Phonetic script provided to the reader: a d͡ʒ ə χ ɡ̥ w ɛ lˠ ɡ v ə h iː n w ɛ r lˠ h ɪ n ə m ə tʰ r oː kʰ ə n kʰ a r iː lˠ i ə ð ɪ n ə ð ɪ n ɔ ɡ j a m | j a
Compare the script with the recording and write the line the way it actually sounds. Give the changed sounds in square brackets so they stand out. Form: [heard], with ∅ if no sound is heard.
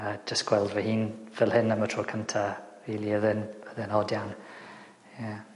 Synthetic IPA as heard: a d͡ʒ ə [s] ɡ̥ w ɛ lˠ [d] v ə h iː n [v] ɛ [∅] lˠ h ɪ n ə m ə tʰ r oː kʰ ə n [tʰ] a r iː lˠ i ə ð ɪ n ə ð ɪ n ɔ [d] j a [n] | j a